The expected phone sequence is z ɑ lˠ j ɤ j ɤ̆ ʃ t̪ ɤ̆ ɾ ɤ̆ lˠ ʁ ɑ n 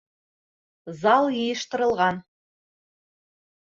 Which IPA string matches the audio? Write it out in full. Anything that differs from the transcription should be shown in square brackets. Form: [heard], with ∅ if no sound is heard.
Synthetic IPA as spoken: z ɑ lˠ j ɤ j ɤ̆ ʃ t̪ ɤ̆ ɾ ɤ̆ lˠ ʁ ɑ n